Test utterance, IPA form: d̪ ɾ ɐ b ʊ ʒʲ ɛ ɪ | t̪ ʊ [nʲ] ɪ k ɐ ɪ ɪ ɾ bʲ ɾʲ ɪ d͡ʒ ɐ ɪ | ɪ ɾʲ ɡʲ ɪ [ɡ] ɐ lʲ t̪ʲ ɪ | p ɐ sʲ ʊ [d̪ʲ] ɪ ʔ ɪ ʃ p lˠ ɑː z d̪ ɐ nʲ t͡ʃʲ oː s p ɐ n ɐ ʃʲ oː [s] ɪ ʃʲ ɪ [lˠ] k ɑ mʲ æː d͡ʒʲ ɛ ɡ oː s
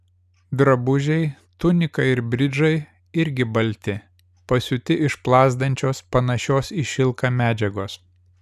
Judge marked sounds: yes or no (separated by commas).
yes, no, no, yes, yes